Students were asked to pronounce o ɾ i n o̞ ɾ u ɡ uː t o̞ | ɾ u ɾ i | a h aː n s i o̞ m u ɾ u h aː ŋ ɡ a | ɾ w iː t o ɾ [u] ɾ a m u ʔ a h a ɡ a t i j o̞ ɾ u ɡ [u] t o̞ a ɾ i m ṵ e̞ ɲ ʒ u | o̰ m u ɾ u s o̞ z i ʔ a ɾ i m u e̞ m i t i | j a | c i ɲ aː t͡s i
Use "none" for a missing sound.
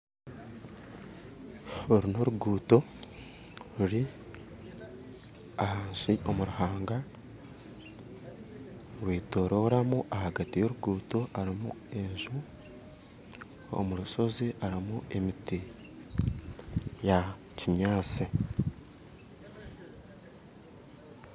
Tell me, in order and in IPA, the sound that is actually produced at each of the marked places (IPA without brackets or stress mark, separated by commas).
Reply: o, uː